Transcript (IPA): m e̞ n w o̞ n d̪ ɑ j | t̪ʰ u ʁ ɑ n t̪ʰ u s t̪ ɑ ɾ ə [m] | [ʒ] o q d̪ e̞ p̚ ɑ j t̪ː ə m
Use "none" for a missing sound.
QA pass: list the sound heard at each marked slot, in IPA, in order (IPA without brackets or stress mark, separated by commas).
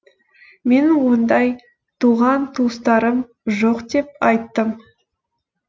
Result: m, ʒ